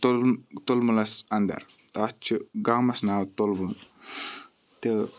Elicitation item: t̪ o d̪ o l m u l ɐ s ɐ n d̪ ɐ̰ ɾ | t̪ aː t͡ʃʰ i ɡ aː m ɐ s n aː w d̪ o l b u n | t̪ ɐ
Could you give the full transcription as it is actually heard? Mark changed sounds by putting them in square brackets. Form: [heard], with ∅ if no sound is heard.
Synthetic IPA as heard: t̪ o [t̪] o l m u l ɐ s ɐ n d̪ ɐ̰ ɾ | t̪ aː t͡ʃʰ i ɡ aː m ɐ s n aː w [t̪] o l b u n | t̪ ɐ